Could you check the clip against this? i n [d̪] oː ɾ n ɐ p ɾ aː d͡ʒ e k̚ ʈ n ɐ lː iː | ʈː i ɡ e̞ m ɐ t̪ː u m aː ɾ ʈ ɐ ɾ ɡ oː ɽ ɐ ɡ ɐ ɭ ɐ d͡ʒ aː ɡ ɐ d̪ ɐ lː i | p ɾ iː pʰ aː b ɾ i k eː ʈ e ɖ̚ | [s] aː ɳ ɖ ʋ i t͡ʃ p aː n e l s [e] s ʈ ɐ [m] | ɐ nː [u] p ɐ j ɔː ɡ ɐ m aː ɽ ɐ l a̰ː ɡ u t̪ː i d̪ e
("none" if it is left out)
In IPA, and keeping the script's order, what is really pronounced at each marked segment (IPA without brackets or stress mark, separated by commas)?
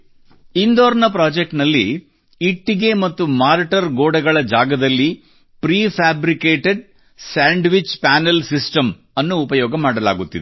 d̪, s, i, m, uː